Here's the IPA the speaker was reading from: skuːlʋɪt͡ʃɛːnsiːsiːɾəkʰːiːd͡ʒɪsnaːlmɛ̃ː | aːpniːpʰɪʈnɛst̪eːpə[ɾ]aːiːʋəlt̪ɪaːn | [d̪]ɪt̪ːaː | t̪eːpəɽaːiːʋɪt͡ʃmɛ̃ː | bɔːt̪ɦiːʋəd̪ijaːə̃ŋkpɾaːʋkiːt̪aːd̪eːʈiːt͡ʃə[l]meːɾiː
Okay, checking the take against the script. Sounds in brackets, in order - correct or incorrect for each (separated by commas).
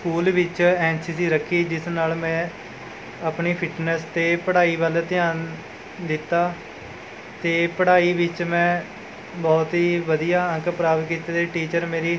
incorrect, correct, incorrect